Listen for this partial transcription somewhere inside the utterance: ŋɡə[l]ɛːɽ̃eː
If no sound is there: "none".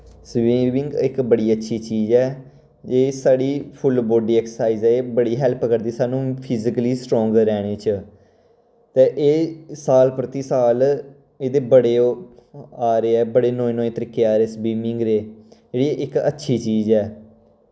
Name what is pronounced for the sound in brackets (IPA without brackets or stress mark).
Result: ɾ